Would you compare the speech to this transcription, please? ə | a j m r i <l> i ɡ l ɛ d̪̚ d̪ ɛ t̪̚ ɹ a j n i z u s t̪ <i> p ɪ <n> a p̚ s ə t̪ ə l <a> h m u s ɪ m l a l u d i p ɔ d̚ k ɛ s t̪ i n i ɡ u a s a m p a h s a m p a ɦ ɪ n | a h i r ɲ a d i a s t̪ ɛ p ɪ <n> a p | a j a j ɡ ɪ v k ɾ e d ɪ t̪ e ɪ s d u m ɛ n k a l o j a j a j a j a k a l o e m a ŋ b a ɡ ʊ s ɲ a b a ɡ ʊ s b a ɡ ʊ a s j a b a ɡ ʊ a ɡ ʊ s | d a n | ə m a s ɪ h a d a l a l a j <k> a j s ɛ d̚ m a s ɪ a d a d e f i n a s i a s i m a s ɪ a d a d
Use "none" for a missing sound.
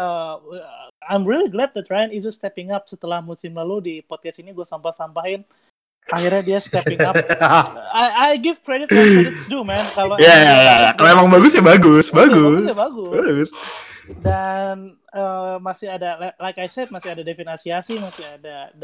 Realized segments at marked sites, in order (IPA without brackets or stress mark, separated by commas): l, ɛ, ŋ, a, ŋ, k